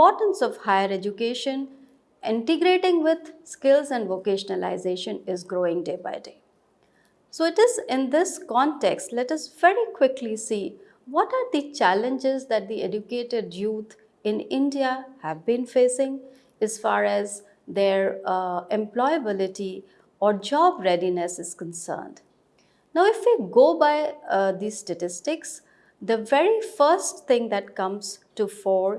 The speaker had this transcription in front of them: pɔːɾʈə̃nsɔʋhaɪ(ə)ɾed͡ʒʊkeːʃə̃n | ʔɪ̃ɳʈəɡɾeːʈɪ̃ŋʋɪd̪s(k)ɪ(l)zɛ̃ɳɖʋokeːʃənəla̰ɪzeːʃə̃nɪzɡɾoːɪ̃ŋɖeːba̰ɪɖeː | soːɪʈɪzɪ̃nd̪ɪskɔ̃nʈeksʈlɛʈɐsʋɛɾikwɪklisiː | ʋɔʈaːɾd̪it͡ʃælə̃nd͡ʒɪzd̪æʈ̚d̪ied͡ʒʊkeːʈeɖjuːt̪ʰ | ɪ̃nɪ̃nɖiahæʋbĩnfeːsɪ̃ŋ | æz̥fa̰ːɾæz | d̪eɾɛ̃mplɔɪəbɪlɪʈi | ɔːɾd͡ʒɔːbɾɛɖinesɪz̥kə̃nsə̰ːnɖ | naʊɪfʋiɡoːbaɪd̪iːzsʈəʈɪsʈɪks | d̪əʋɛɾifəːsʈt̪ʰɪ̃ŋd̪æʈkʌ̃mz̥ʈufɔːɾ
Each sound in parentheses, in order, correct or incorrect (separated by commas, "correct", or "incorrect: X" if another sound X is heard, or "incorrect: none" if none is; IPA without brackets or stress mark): correct, correct, correct